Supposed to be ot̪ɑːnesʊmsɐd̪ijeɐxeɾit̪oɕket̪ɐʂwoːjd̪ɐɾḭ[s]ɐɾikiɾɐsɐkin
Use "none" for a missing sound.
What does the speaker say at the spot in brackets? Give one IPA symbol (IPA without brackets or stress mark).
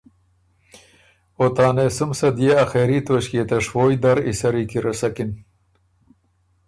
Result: s